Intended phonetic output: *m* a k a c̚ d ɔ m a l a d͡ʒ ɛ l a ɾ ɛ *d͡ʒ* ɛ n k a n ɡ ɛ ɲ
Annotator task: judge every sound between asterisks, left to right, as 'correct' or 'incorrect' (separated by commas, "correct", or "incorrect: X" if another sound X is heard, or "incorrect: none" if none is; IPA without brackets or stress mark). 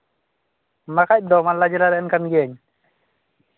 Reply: correct, incorrect: none